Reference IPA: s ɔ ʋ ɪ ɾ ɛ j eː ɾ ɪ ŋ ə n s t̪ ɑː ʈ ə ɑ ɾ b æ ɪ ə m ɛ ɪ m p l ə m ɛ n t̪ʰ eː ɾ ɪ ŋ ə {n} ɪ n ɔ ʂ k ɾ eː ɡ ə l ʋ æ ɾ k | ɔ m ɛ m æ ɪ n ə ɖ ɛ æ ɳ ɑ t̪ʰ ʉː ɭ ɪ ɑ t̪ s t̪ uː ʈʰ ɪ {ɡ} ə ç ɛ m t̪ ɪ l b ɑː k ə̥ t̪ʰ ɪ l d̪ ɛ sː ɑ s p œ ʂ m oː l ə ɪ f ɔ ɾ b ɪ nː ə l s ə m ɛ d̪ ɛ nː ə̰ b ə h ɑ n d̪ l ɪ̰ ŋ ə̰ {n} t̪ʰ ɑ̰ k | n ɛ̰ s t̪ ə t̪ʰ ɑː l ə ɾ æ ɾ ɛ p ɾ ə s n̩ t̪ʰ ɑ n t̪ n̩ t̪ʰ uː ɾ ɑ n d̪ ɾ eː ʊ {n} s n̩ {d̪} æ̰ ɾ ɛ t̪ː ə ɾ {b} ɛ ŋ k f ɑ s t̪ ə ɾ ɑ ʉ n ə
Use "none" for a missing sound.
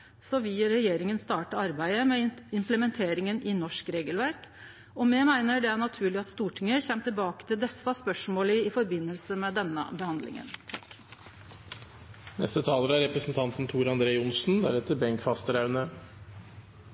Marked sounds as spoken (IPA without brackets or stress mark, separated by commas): n, ŋ, n, n, d̪, b